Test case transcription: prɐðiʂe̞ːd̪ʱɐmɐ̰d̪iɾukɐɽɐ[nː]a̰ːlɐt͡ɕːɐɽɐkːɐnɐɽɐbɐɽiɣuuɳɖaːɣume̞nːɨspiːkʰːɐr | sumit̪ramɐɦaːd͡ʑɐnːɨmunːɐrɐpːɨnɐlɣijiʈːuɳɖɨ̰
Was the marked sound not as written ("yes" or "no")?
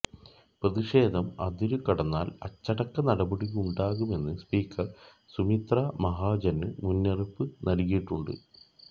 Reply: no